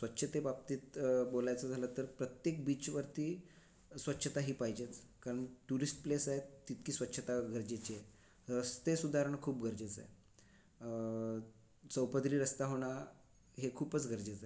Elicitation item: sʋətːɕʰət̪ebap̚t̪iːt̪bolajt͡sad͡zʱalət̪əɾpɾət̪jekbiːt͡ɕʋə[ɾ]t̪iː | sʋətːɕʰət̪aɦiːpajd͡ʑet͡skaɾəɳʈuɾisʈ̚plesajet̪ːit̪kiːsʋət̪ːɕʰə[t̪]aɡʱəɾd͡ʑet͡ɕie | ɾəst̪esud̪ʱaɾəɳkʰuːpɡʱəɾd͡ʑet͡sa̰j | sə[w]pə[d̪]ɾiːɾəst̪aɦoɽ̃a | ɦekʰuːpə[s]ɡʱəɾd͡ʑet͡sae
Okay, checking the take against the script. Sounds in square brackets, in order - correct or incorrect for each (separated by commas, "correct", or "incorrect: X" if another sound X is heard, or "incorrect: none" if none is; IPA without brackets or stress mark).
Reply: correct, correct, correct, correct, incorrect: t͡s